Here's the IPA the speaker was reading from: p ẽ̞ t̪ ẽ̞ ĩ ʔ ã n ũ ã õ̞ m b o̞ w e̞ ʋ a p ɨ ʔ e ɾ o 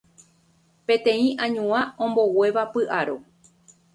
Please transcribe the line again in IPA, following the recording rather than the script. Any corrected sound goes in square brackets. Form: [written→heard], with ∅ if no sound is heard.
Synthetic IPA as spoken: p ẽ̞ t̪ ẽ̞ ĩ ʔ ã [n→ɲ] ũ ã õ̞ m b o̞ w e̞ ʋ a p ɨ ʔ [e→a] ɾ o